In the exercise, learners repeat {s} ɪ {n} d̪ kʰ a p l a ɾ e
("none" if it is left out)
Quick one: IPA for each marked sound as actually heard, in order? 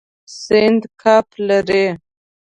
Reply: s, n

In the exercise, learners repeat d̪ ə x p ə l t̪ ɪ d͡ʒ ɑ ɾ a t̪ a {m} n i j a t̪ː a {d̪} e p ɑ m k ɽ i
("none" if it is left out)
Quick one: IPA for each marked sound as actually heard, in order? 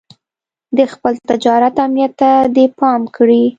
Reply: m, d̪

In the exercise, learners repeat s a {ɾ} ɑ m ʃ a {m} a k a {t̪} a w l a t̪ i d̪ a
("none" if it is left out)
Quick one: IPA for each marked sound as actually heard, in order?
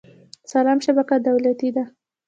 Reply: l, b, d̪

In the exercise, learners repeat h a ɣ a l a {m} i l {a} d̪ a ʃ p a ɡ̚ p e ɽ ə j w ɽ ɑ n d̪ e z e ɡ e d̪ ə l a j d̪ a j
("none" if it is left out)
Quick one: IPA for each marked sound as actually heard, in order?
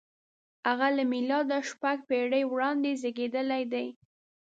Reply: m, ɑ

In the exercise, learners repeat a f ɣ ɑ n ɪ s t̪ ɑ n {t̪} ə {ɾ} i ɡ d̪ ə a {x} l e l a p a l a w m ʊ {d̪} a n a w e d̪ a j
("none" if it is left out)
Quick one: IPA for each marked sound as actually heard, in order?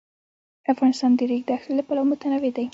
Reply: d̪, ɾ, x, t̪

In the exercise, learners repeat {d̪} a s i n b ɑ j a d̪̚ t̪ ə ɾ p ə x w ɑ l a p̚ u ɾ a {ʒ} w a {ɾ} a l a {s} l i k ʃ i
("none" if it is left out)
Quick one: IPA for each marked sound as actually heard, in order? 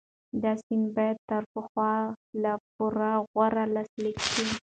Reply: d̪, ɣ, ɾ, s

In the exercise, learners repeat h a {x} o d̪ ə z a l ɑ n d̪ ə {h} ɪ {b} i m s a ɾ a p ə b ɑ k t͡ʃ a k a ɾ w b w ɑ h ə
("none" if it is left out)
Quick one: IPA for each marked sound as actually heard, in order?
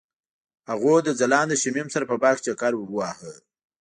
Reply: ɣ, ʃ, m

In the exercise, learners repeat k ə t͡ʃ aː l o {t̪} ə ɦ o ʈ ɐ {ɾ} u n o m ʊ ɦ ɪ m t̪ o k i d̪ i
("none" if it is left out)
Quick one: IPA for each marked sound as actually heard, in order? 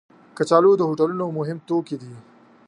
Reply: d̪, l

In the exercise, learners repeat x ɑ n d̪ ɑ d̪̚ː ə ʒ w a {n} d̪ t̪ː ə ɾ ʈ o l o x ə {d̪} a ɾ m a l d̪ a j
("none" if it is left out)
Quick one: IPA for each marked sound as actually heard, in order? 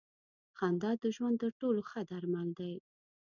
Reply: n, d̪

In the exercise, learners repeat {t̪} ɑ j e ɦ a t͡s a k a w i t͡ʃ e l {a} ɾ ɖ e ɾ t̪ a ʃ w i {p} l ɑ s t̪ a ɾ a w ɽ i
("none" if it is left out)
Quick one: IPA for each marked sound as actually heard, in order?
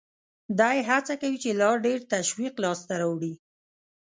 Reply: d̪, ɑ, q

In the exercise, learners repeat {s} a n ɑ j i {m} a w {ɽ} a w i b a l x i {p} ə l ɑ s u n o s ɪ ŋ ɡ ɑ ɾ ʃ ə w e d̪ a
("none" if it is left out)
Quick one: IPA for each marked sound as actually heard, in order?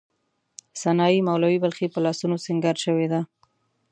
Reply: s, m, l, p

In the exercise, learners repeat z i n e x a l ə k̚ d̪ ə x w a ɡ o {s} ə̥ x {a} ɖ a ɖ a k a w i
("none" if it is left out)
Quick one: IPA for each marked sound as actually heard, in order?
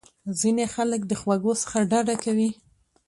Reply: s, a

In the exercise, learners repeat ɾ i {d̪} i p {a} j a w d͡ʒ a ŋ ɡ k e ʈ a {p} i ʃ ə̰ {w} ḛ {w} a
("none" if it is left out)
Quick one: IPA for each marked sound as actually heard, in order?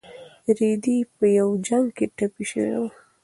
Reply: d̪, ə, p, w, w

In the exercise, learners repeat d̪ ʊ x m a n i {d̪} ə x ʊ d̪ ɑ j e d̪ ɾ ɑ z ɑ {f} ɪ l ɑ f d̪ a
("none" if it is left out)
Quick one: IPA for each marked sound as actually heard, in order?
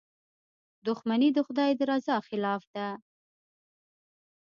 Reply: d̪, x

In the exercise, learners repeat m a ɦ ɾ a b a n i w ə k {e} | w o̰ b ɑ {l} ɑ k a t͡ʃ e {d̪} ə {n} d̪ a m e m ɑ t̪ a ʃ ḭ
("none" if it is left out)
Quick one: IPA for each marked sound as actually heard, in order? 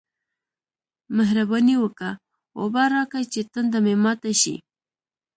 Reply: a, ɾ, t̪, n

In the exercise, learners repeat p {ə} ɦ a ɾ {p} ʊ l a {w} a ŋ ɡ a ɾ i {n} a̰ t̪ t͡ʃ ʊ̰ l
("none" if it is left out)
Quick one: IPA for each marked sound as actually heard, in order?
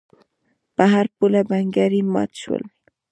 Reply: a, p, b, m

